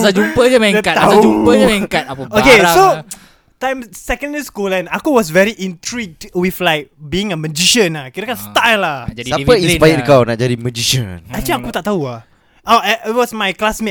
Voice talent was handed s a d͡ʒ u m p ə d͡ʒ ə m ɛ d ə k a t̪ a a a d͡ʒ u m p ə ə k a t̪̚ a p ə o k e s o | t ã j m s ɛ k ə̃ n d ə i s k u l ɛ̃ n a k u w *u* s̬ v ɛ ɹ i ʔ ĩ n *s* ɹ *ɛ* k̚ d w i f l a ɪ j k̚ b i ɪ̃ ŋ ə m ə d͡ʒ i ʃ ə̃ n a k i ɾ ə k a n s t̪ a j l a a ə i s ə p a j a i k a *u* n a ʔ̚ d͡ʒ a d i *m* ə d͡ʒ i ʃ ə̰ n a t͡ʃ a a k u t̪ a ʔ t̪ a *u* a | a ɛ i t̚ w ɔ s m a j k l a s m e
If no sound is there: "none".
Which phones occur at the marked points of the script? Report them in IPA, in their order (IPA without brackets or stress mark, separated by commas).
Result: ɔ, t, i, w, m, u